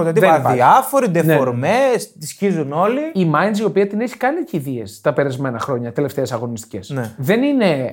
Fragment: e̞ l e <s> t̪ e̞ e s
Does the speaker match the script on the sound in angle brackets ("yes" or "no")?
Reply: no